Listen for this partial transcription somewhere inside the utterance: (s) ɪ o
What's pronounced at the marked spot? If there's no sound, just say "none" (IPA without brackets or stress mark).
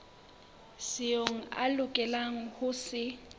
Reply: s